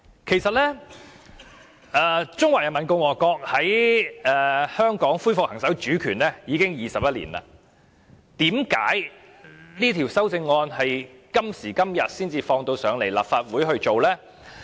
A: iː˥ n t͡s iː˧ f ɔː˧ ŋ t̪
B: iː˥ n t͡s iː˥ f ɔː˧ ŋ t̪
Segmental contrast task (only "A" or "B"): A